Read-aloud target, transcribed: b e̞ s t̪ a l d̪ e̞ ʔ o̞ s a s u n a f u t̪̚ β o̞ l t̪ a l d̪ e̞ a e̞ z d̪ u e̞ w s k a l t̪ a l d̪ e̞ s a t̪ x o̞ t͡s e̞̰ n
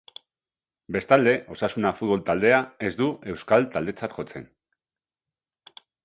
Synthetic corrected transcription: b e̞ s t̪ a l d̪ e̞ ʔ o̞ s a s u n a f u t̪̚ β o̞ l t̪ a l d̪ e̞ a e̞ z d̪ u e̞ w s k a l t̪ a l d̪ e̞ t͡s a t̪ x o̞ t͡s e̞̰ n